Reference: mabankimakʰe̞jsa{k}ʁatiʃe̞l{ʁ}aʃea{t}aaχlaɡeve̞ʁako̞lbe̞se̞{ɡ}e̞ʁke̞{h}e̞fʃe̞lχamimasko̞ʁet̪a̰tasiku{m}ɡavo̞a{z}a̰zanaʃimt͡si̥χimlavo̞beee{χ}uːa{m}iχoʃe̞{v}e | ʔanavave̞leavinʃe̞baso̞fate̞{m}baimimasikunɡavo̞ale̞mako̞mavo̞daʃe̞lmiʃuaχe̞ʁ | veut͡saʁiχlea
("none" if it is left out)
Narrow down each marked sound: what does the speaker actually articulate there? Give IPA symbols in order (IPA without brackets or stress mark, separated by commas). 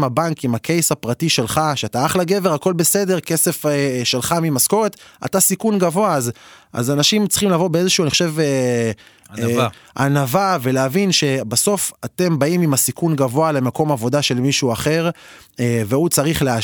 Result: p, χ, t, d, s, n, z, ʃ, n, v, m